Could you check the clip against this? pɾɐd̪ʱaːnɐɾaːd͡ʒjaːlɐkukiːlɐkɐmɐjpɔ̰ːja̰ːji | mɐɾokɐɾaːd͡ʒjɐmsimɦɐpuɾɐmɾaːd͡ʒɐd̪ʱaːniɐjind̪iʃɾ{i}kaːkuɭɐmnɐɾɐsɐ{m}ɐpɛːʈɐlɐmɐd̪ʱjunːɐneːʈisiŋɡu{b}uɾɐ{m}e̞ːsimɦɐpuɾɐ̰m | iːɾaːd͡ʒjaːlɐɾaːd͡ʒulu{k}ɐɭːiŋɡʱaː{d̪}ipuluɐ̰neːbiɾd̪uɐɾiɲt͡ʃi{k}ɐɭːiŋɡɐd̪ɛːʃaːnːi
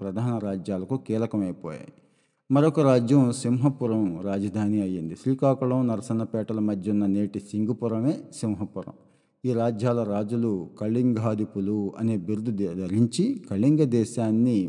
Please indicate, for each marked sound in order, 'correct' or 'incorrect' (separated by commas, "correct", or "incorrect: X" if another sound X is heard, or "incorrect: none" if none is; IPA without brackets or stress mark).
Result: incorrect: iː, incorrect: n, incorrect: p, correct, correct, correct, correct